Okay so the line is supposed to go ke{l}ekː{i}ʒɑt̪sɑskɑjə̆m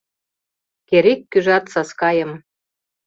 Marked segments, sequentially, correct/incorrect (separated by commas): incorrect, incorrect